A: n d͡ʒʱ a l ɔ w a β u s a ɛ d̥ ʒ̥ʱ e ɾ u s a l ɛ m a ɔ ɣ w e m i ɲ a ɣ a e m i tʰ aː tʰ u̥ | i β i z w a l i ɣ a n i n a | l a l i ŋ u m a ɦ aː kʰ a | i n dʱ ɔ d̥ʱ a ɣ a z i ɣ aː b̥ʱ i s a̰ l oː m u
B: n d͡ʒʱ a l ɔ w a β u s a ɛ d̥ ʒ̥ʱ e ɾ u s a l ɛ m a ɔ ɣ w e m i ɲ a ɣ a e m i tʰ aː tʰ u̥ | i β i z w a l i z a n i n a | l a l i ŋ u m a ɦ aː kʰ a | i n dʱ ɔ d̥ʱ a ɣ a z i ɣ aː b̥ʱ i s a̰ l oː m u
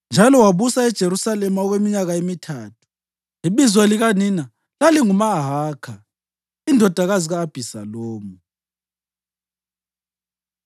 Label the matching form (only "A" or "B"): A